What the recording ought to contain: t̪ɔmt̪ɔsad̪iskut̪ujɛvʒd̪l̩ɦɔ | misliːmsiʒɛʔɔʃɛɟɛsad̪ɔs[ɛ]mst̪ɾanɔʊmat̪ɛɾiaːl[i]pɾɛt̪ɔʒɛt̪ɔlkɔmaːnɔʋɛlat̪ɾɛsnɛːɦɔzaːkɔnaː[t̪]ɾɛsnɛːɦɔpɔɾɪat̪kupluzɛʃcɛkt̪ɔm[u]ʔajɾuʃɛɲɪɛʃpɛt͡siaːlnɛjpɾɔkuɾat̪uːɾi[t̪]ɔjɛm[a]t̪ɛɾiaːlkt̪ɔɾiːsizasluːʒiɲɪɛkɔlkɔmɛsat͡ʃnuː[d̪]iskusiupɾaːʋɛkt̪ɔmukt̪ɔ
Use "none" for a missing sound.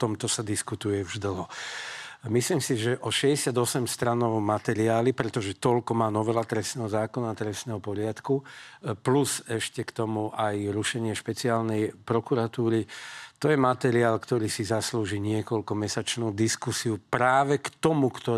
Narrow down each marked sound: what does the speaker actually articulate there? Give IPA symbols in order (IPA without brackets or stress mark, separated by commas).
ɛ, i, t̪, u, t̪, a, d̪